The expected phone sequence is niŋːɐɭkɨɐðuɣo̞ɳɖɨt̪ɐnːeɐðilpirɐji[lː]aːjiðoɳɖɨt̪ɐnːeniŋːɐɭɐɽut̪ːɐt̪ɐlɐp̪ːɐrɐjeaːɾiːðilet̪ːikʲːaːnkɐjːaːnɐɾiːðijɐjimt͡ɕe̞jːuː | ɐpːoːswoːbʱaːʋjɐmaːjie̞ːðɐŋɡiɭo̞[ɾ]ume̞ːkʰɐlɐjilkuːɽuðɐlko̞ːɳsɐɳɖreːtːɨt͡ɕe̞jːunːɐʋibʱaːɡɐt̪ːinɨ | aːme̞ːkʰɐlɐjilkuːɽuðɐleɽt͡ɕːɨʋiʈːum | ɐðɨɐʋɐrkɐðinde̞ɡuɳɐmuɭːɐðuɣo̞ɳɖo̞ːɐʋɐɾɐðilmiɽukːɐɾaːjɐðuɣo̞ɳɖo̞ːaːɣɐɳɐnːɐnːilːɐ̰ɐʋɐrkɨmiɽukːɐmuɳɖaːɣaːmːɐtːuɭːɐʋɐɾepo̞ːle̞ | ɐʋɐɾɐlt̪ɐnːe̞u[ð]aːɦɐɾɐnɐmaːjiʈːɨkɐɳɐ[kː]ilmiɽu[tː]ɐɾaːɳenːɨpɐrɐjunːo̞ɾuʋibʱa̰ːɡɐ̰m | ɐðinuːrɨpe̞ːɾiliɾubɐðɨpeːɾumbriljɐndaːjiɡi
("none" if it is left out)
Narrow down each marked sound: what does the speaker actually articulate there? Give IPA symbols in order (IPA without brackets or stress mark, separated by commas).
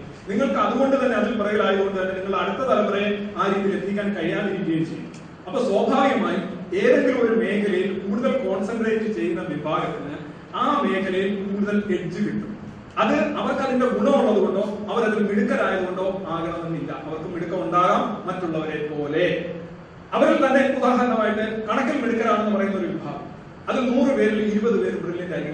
l, ɾ, ð, kː, kː